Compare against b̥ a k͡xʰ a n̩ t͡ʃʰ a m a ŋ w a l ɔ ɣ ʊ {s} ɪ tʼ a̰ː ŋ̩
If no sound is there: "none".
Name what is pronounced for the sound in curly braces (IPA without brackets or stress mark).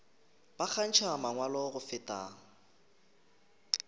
f